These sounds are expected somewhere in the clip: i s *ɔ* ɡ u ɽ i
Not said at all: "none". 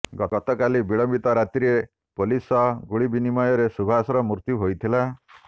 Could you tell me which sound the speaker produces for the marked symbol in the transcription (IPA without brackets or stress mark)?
ɔ